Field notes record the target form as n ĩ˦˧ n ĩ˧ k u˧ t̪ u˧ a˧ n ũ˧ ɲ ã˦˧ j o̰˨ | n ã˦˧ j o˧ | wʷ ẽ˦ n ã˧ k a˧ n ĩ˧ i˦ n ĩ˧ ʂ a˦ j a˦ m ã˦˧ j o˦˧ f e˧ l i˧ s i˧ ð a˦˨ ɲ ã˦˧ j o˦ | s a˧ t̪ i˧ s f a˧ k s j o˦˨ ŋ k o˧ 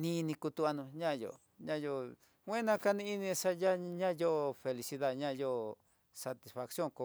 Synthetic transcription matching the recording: n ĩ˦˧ n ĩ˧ k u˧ t̪ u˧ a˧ n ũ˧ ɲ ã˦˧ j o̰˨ | ɲ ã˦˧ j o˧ | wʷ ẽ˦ n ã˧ k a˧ n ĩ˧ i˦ n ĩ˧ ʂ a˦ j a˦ ɲ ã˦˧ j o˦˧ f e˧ l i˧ s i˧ ð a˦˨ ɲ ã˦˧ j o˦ | s a˧ t̪ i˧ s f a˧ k s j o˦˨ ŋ k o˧

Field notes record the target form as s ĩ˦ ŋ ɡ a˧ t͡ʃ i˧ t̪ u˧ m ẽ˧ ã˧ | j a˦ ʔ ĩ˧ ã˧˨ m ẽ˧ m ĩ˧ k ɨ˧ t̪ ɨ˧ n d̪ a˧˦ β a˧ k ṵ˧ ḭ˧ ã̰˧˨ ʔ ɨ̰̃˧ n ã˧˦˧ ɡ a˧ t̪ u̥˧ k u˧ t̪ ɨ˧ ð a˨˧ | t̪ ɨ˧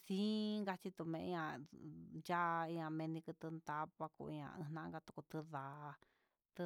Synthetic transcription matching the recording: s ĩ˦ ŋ ɡ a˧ t͡ʃ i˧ t̪ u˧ m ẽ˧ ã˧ | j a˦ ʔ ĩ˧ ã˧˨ m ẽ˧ n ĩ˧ k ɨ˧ t̪ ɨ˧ n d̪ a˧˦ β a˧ k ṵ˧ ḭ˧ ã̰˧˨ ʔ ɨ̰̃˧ n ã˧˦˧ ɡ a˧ t̪ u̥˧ k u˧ t̪ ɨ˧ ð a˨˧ | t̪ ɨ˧

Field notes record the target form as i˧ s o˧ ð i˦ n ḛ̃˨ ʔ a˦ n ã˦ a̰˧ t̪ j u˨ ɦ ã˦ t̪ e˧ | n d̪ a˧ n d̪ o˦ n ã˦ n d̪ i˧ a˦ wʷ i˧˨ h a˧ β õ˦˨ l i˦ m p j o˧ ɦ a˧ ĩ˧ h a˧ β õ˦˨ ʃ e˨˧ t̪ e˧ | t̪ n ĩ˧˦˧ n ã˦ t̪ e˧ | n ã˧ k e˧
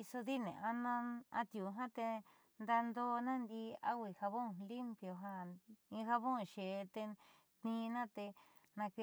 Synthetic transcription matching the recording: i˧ s o˧ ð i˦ n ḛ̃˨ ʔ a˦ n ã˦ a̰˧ t̪ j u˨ ɦ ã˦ t̪ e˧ | n d̪ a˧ n d̪ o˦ n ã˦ n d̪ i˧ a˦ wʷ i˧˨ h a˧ β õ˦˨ l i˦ m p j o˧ ɦ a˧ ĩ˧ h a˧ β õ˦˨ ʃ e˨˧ t̪ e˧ | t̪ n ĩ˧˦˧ n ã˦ t̪ e˧ | n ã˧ k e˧

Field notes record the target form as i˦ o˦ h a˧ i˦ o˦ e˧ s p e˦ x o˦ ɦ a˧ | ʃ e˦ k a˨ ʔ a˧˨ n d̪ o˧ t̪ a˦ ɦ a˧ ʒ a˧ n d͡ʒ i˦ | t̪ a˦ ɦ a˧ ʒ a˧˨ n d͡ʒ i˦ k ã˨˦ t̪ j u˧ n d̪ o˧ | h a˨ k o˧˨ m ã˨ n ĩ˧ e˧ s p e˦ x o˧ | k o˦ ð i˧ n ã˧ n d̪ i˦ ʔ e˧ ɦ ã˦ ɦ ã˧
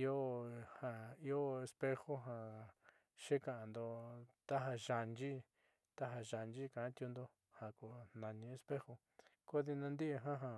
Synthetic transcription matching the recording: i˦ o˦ h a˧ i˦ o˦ e˧ s p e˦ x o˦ ɦ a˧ | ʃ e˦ k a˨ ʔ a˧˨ n d̪ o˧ t̪ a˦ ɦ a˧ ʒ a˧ n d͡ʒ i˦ | t̪ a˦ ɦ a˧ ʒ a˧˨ n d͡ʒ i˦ k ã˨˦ t̪ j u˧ n d̪ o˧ | h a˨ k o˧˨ n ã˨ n ĩ˧ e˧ s p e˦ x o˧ | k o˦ ð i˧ n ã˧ n d̪ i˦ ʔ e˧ ɦ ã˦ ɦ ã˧

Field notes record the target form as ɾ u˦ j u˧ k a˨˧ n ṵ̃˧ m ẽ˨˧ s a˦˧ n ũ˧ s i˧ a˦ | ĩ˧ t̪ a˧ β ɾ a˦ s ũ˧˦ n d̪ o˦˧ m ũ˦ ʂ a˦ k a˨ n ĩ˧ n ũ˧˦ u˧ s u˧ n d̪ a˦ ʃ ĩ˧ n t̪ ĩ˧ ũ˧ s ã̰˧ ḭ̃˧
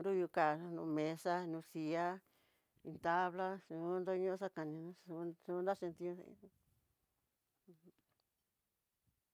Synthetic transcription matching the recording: ɾ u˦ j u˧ k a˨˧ n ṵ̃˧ m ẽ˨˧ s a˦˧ n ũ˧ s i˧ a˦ | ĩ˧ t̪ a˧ β l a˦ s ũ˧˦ n d̪ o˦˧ ɲ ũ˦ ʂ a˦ k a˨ n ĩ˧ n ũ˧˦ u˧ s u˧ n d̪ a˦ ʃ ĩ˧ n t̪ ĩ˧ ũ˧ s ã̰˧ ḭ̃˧

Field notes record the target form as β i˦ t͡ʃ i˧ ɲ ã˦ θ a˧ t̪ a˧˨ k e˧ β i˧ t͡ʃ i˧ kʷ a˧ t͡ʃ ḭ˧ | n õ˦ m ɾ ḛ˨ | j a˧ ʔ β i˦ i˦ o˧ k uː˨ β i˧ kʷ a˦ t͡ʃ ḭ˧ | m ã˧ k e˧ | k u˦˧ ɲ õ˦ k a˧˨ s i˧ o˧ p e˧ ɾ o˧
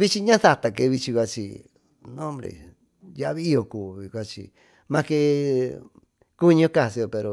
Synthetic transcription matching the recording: β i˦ t͡ʃ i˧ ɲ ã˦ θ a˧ t̪ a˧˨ k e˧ β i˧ t͡ʃ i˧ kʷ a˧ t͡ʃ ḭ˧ | n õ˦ m ɾ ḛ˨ | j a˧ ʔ β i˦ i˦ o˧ k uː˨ β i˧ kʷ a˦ t͡ʃ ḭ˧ | m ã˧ k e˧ | k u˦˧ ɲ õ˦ k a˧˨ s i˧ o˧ p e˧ ɾ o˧

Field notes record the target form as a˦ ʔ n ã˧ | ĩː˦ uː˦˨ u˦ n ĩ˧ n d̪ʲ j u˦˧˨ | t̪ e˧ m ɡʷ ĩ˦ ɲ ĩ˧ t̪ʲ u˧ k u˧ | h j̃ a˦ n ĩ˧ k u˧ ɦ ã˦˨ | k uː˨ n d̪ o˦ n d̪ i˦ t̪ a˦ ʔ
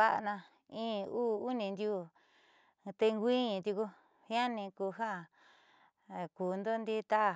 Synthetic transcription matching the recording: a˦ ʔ n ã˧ | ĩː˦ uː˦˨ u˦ n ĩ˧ n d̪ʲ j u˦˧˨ | t̪ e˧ ŋ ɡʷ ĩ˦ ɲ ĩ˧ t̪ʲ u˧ k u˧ | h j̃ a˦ n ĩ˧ k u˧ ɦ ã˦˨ | k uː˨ n d̪ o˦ n d̪ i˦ t̪ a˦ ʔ

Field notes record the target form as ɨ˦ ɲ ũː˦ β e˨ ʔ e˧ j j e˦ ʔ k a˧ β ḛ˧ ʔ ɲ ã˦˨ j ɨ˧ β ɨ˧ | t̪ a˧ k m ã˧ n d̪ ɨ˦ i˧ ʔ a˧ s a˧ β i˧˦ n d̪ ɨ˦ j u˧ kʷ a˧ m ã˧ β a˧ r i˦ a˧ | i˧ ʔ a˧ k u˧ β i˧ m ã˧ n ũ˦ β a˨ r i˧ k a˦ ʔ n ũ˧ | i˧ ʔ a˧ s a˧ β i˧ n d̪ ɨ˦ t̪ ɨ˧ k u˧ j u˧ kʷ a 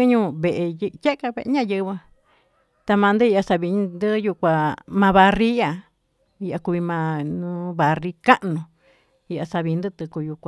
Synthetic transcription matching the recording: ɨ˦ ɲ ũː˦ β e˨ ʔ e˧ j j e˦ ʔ k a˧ β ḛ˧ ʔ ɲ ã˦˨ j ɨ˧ β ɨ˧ | t̪ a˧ m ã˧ n d̪ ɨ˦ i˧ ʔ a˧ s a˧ β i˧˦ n d̪ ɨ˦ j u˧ kʷ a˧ m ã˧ β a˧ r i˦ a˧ | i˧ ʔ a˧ k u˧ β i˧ m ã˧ n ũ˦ β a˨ r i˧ k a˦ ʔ n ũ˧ | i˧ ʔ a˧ s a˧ β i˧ n d̪ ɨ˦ t̪ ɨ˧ k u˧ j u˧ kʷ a

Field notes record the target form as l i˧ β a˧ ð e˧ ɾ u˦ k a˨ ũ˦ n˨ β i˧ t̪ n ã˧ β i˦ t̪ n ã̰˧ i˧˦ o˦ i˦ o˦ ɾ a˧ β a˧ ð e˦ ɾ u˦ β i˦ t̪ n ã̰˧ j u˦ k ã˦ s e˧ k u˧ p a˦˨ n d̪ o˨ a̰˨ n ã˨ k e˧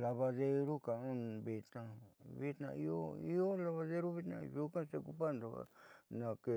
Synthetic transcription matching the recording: l a˧ β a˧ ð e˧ ɾ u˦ k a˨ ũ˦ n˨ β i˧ t̪ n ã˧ β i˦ t̪ n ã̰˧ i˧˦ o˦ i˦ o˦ l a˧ β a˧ ð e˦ ɾ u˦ β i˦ t̪ n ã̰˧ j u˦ k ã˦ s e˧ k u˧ p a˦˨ n d̪ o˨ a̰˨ n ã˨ k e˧

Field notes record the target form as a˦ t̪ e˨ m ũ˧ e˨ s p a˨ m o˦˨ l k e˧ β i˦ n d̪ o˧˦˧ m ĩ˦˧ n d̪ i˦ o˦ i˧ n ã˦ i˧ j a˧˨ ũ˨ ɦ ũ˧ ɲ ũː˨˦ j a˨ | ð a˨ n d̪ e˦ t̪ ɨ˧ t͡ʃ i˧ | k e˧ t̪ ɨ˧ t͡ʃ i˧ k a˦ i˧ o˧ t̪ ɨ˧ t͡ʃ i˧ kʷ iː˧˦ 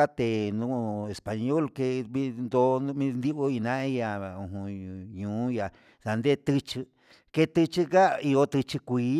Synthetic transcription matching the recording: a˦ t̪ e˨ n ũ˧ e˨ s p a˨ ɲ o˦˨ l k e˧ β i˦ n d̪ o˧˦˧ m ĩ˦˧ n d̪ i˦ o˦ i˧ n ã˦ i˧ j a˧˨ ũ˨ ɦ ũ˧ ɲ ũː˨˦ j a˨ | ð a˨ n d̪ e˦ t̪ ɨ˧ t͡ʃ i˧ | k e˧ t̪ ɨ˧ t͡ʃ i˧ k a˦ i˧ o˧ t̪ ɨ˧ t͡ʃ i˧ kʷ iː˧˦

